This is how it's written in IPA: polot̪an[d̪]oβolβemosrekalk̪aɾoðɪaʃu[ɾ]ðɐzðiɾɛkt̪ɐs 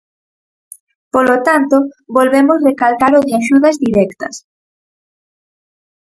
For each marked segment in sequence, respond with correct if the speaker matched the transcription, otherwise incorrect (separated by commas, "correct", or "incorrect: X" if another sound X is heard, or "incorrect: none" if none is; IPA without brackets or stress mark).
incorrect: t̪, incorrect: none